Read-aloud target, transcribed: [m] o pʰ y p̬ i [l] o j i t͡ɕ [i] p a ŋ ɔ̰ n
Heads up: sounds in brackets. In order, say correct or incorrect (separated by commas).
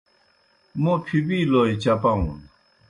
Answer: correct, correct, incorrect